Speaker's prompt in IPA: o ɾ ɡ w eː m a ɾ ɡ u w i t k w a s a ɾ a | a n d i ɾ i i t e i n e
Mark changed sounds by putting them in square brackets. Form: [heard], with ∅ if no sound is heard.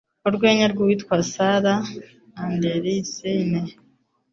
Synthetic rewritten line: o ɾ ɡ w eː [ɲ] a ɾ ɡ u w i t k w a s a ɾ a | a n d [e] ɾ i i [s] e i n e